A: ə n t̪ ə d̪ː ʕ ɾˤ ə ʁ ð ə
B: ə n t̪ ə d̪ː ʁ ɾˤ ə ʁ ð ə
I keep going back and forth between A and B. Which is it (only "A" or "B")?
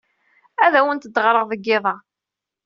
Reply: B